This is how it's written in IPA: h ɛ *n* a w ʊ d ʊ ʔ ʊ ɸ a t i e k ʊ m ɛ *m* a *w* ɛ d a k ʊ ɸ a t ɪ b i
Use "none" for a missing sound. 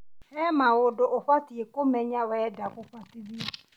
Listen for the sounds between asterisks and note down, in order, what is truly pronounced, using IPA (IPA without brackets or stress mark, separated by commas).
m, ɲ, w